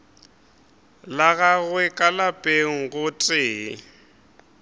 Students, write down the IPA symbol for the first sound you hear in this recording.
l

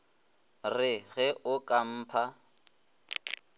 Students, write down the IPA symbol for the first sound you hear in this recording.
r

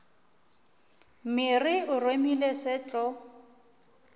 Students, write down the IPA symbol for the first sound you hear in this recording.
m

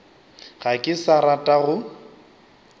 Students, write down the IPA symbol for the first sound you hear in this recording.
ɣ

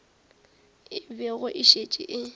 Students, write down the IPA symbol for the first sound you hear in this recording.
ɪ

